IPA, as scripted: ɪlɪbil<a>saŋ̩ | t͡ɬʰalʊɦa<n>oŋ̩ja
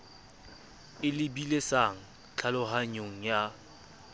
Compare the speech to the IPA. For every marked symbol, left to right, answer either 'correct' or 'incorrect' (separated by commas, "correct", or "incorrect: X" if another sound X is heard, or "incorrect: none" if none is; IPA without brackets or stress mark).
incorrect: e, incorrect: ɲ